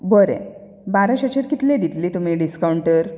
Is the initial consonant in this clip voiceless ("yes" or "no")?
no